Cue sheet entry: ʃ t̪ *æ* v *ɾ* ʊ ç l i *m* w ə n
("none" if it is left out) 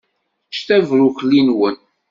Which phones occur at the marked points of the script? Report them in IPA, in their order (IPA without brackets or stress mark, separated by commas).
æ, ɾ, n